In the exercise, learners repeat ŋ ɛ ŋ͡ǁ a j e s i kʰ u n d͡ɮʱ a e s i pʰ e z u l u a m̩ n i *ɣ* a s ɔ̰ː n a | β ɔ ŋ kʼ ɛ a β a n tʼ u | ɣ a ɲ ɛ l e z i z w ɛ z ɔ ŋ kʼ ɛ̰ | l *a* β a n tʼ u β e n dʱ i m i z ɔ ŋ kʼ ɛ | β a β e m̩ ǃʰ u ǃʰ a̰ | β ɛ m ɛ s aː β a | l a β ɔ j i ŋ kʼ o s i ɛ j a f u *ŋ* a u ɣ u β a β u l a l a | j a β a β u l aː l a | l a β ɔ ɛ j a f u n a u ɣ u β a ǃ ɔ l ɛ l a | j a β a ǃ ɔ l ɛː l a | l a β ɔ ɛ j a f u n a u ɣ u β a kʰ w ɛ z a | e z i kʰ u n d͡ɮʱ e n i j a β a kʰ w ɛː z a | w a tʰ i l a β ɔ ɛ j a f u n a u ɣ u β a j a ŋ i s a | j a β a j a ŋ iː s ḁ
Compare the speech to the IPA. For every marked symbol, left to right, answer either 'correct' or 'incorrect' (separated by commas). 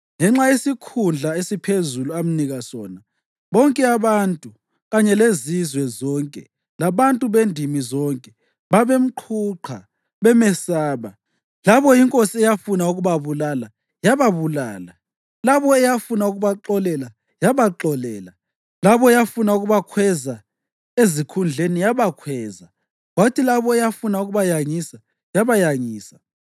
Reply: correct, correct, incorrect